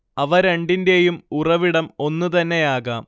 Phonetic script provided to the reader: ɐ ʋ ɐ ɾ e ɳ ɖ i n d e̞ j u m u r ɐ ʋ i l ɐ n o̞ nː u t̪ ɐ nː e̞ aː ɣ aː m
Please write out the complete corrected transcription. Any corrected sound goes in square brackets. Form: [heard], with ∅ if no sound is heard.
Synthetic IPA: ɐ ʋ ɐ ɾ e ɳ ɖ i n d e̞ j u m u r ɐ ʋ i [ɽ] ɐ [m] o̞ nː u t̪ ɐ nː e̞ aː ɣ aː m